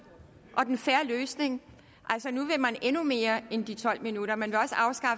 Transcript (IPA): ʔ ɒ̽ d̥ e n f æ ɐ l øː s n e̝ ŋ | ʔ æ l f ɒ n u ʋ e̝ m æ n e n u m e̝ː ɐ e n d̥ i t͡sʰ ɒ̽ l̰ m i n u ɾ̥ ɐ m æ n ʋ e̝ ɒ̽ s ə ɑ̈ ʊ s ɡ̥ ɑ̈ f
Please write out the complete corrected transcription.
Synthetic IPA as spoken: ʔ ɒ̽ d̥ e n f æ ɐ l øː s n e̝ ŋ | ʔ æ l s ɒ n u ʋ e̝ m æ n e n u m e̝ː ɐ e n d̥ i t͡sʰ ɒ̽ l̰ m i n u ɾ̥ ɐ m æ n ʋ e̝ ɒ̽ s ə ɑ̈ ʊ s ɡ̥ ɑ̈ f